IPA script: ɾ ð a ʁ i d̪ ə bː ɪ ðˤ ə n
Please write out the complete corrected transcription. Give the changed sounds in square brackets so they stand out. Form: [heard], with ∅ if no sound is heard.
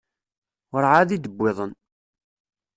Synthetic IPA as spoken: ɾ [ʕ] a [ð] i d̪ ə bː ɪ ðˤ ə n